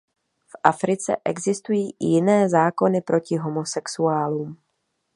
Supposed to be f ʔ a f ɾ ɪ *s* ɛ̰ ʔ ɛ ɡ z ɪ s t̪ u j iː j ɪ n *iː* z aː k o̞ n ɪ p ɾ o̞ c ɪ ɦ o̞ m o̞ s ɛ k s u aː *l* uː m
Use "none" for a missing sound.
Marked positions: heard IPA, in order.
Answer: t͡s, ɛː, l

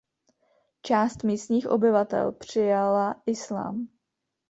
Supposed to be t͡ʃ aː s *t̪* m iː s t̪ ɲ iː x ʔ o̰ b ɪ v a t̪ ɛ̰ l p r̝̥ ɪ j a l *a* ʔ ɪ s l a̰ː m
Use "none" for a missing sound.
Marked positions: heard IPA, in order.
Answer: t̪, a

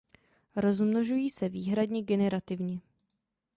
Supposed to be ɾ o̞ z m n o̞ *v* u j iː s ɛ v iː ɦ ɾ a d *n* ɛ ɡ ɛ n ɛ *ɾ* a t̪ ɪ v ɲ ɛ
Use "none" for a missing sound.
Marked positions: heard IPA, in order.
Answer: ʒ, ɲ, ɾ

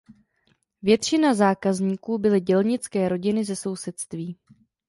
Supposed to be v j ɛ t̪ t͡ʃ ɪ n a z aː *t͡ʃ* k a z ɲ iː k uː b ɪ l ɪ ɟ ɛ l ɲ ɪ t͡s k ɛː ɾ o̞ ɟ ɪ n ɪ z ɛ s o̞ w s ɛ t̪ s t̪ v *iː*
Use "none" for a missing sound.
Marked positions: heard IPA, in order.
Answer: none, iː

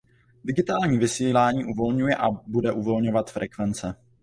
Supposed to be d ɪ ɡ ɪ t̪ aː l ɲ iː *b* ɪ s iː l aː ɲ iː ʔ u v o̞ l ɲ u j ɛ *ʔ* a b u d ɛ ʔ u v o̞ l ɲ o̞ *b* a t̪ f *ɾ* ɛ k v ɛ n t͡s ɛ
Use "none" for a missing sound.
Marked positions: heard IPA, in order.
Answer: v, ʔ, v, ɾ

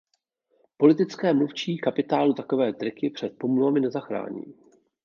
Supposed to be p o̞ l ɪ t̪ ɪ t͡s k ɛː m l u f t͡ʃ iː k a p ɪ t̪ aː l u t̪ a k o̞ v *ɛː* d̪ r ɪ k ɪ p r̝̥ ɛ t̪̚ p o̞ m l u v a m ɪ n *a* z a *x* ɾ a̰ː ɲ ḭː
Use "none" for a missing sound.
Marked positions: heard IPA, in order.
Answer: ɛː, ɛ, x

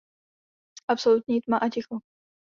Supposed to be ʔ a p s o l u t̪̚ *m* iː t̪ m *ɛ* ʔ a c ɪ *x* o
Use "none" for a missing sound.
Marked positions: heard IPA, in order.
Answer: ɲ, a, x

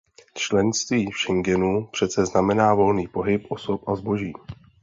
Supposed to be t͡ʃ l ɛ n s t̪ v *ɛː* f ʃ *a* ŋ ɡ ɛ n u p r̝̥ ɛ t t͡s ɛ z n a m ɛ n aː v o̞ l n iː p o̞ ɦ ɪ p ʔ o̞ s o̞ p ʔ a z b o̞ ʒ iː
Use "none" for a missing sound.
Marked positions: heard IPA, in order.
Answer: iː, ɛ

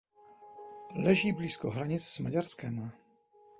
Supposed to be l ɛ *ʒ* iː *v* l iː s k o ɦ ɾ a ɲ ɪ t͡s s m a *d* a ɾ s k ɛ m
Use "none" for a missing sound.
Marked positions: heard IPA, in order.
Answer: ʒ, b, ɟ

